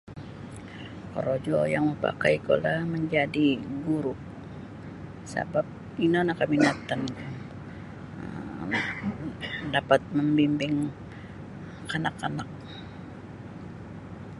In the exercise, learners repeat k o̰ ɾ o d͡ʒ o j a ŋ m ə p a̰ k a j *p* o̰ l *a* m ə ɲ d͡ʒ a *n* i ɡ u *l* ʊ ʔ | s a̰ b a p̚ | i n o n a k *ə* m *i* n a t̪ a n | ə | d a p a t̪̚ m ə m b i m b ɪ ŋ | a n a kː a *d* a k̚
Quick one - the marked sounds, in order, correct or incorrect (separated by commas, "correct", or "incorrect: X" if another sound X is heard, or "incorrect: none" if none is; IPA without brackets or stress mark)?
incorrect: k, correct, incorrect: d, incorrect: ɾ, incorrect: a, correct, incorrect: n